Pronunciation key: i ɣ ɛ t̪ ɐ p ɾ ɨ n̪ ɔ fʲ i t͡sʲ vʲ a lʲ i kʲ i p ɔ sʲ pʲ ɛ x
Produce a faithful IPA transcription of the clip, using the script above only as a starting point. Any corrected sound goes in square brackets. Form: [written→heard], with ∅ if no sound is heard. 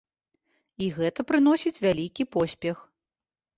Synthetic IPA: i ɣ ɛ t̪ ɐ p ɾ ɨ n̪ ɔ [fʲ→sʲ] i t͡sʲ vʲ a lʲ i kʲ i p ɔ sʲ pʲ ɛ x